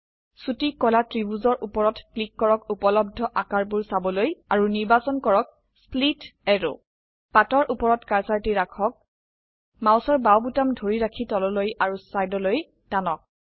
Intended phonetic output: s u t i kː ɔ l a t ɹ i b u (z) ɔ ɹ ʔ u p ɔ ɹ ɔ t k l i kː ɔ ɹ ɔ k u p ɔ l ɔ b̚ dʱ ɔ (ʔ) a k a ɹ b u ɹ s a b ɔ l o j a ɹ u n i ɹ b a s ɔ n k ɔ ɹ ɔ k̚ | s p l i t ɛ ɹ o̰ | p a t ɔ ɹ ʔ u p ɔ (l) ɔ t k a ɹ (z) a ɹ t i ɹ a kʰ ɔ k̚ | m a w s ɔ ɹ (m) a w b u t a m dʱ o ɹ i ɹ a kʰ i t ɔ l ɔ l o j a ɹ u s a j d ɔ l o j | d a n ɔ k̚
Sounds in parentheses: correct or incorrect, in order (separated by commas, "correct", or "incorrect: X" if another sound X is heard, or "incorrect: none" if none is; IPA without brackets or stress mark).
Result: correct, correct, incorrect: ɹ, incorrect: s, incorrect: b